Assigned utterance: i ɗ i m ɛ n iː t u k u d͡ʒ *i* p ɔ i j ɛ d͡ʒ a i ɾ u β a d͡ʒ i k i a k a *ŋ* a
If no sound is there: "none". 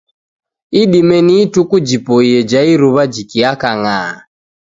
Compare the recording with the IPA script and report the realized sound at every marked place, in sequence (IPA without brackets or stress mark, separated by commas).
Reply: i, ŋ